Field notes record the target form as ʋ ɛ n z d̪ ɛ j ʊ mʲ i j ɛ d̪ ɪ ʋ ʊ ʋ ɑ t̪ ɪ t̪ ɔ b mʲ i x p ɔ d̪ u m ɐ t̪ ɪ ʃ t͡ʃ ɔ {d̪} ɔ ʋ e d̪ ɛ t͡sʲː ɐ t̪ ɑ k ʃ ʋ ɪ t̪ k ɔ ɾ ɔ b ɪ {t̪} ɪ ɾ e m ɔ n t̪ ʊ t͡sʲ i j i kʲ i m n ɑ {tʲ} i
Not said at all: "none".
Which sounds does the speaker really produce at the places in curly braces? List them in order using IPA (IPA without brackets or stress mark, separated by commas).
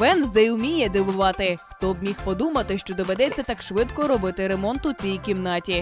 d̪, t̪, tʲ